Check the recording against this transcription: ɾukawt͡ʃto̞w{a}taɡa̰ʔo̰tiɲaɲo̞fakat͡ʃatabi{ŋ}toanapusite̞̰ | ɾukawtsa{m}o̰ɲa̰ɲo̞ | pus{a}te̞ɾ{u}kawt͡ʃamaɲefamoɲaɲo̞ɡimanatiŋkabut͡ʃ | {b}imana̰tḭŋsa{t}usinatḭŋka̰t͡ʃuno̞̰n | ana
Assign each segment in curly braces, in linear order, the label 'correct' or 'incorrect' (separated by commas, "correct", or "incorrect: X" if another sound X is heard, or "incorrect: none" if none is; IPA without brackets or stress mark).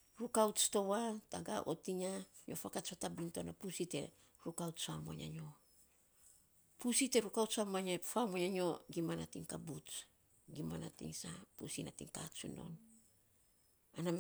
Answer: correct, incorrect: n, correct, incorrect: i, correct, incorrect: ɡ, incorrect: p